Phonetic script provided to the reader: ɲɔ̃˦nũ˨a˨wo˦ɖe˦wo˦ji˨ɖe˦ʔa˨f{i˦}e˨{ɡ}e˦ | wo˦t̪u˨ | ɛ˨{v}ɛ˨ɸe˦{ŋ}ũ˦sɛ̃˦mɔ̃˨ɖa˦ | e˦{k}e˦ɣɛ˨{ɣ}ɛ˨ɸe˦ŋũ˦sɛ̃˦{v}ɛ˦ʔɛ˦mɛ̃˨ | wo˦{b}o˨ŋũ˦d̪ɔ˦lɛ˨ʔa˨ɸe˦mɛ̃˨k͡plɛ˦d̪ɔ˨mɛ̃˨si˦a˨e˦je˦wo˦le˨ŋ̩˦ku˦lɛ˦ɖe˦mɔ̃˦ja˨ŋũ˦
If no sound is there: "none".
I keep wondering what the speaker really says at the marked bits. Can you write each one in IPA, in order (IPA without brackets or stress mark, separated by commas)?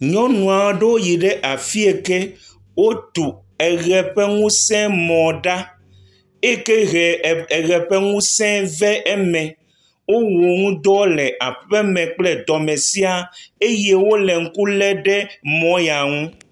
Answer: i˦, k, ɣ, ŋ, k, ɣ, v, w